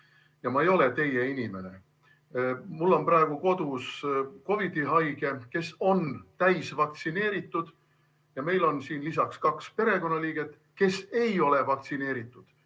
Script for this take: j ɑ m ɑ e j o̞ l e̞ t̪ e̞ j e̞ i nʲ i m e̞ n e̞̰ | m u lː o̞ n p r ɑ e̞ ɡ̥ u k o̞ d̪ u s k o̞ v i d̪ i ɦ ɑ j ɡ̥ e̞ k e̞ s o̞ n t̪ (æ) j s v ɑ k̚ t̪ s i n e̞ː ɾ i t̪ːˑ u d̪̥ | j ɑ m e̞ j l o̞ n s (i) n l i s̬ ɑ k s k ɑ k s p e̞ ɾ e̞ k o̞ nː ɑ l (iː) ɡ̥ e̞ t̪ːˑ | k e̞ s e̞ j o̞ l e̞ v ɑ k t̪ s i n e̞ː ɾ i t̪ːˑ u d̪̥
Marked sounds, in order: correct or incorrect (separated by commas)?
correct, incorrect, correct